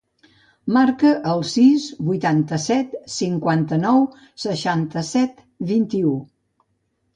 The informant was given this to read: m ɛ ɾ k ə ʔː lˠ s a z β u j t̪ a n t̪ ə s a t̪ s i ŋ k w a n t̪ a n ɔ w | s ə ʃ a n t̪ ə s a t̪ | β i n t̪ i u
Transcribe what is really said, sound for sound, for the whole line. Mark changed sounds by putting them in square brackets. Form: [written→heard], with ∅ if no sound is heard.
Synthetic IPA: m [ɛ→a] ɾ k ə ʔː lˠ s [a→i] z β u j t̪ a n t̪ ə s [a→ɛ] t̪ s i ŋ k w a n t̪ [a→ə] n ɔ w | s ə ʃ a n t̪ ə s [a→ɛ] t̪ | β i n t̪ i u